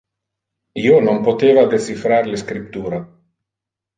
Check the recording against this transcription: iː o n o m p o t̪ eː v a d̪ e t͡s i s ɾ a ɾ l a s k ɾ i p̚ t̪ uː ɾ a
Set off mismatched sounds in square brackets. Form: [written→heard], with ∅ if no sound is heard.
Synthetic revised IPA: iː o n o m p o t̪ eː v a d̪ e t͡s i [s→f] ɾ a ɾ l [a→e] s k ɾ i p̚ t̪ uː ɾ a